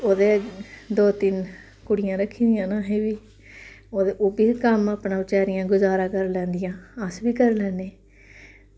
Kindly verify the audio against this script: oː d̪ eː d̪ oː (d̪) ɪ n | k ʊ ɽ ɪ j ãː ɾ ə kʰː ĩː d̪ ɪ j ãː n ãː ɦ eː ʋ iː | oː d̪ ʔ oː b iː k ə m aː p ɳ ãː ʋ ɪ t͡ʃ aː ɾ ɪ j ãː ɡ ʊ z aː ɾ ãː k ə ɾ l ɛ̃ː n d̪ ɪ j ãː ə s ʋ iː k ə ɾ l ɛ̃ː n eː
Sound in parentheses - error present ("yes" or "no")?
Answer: yes